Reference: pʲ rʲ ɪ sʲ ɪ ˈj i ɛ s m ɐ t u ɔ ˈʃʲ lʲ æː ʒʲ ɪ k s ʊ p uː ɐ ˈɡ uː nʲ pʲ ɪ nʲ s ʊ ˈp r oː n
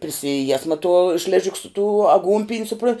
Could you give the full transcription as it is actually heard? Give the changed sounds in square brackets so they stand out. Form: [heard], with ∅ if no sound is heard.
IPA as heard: pʲ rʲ ɪ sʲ ɪ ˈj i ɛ s m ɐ t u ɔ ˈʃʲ lʲ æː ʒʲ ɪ k s ʊ [t] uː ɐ ˈɡ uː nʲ pʲ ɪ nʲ s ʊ ˈp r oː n